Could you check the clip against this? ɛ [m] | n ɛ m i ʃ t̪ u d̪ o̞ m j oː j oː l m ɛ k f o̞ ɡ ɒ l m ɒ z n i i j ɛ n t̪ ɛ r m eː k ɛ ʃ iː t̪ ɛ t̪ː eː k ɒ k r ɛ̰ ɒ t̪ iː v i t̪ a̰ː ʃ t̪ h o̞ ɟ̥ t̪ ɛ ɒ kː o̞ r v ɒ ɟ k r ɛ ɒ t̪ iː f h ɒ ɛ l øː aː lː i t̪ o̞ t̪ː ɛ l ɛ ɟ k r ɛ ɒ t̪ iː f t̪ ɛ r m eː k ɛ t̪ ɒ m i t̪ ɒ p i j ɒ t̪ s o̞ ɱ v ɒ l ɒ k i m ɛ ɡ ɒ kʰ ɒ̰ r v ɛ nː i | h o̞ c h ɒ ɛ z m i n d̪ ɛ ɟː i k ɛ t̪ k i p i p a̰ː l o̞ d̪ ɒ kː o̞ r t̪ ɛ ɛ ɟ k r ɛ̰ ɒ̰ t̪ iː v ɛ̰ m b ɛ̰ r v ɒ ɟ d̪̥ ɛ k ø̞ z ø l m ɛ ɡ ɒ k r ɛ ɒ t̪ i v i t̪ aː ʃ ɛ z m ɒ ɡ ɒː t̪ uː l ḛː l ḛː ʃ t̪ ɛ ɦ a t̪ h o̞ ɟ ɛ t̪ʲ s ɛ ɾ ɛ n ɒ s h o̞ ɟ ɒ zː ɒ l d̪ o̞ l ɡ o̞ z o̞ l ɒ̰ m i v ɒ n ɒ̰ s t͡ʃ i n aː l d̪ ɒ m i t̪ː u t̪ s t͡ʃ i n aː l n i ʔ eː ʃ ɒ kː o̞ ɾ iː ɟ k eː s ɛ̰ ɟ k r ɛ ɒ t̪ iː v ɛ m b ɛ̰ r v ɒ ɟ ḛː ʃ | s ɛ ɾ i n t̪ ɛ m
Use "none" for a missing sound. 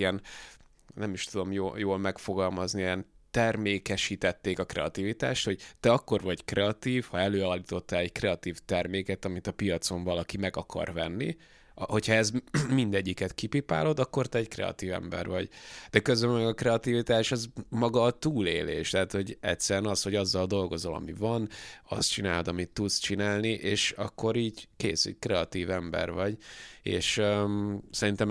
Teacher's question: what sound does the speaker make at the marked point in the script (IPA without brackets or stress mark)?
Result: n